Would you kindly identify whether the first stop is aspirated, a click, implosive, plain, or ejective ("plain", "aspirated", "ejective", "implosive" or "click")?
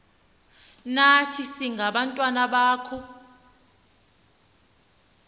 aspirated